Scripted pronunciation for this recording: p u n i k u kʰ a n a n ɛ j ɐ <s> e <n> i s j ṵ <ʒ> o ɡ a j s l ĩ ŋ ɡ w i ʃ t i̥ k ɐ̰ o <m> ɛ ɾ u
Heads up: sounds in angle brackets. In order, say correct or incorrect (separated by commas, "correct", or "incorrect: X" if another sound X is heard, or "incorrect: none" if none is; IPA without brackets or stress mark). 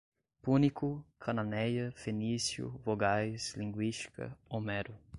incorrect: f, correct, incorrect: v, correct